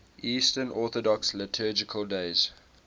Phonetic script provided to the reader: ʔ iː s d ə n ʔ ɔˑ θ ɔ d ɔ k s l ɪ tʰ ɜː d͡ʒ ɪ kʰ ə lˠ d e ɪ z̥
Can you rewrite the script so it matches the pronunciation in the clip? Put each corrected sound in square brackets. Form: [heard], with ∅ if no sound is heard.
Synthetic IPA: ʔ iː s [t] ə n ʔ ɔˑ θ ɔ d ɔ k s l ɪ tʰ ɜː d͡ʒ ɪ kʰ ə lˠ d e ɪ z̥